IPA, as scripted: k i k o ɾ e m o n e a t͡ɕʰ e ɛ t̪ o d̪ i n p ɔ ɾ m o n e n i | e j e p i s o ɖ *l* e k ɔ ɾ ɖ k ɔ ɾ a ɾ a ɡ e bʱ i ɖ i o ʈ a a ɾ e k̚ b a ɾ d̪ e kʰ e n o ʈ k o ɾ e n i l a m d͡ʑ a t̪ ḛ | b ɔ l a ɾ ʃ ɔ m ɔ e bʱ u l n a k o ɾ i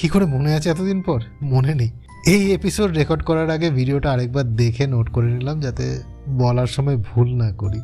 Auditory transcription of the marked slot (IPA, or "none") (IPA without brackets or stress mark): ɾ